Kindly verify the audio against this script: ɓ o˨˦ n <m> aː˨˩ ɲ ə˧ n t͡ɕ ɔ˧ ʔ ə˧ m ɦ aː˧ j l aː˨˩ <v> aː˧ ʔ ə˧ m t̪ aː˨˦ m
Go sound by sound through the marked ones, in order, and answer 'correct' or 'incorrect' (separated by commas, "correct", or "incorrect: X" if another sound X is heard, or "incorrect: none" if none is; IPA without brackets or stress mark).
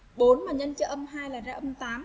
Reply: correct, incorrect: z